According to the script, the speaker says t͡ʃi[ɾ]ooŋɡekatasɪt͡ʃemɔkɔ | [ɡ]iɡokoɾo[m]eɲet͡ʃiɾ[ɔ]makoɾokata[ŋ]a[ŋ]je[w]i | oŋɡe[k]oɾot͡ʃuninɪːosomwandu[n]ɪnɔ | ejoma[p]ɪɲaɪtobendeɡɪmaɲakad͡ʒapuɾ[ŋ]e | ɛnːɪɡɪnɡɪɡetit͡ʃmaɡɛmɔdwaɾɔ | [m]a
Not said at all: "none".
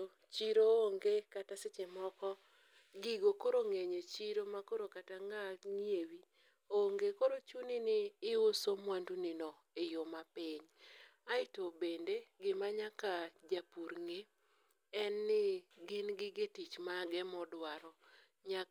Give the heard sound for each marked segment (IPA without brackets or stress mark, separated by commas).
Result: ɾ, ɡ, ŋ, o, ŋ, ŋ, w, k, n, p, ŋ, ɲ